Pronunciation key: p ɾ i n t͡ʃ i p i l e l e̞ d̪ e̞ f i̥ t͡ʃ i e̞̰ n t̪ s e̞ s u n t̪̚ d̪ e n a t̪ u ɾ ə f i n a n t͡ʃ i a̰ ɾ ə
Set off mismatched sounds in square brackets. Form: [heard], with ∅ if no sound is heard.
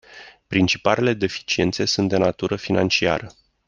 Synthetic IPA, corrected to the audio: p ɾ i n t͡ʃ i p [a] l e l e̞ d̪ e̞ f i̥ t͡ʃ i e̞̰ n t̪ s e̞ s u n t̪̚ d̪ e n a t̪ u ɾ ə f i n a n t͡ʃ i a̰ ɾ ə